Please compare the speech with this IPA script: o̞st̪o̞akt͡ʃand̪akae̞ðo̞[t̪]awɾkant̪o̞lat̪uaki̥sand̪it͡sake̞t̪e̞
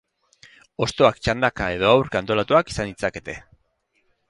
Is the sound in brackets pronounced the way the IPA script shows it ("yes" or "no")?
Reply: no